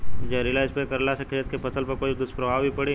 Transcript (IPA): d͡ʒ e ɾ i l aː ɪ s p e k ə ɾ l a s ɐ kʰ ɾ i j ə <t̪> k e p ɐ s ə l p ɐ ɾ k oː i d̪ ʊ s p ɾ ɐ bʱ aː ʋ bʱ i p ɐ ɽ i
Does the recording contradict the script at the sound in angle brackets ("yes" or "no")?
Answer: no